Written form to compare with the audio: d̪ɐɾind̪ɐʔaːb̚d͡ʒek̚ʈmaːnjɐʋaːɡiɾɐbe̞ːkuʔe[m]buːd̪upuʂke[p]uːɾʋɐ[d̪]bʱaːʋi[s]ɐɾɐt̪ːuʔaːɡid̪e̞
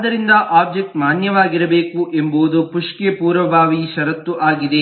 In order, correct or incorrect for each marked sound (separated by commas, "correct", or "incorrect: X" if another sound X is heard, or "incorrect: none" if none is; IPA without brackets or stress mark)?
correct, correct, incorrect: none, incorrect: ʃ